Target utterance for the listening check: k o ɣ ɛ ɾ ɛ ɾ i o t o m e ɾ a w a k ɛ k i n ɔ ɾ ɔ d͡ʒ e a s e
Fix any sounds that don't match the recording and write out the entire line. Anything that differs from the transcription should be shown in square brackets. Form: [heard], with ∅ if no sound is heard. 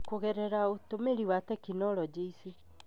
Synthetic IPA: k o ɣ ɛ ɾ ɛ ɾ [a] o t o m e ɾ [i] w a [t] ɛ k i n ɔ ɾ ɔ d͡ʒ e [i] s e